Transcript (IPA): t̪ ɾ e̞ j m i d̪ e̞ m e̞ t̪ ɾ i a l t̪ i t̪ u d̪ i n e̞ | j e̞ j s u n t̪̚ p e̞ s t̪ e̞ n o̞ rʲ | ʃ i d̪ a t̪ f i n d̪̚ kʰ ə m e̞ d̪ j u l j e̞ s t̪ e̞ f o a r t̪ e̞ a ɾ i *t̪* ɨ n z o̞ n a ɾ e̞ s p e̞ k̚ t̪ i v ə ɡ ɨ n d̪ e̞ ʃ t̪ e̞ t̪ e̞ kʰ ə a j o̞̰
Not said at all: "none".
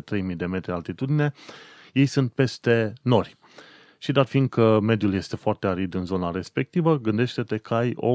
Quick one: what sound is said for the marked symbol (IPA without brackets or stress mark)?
d̪